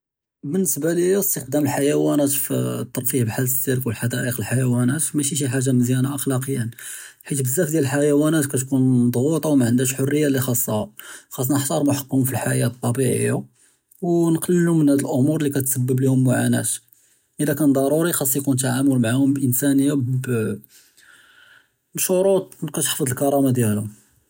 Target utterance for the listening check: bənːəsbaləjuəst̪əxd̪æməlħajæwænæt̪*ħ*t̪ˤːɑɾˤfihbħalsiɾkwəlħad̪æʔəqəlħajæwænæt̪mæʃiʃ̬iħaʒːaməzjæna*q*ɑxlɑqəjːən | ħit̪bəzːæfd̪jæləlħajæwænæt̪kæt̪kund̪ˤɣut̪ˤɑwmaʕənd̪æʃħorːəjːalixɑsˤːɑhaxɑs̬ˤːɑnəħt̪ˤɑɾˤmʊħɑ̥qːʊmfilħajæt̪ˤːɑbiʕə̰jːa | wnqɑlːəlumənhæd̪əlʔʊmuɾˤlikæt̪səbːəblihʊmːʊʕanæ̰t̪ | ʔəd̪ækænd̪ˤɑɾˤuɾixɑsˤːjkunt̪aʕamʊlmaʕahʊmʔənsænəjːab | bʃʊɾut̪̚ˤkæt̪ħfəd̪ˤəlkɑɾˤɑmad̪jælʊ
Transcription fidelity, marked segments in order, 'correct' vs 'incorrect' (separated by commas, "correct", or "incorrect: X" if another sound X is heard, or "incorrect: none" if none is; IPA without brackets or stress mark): incorrect: f, incorrect: ʔ